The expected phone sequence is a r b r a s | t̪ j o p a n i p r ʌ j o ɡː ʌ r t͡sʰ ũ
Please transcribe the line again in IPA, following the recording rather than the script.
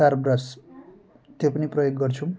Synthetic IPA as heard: a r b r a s | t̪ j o p ʌ n i p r ʌ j o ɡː ʌ r t͡sʰ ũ